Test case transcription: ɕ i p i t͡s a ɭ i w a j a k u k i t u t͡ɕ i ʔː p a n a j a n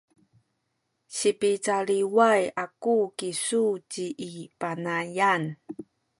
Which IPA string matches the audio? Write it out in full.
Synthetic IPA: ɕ i p i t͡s a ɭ i w a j a k u k i s u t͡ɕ i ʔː p a n a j a n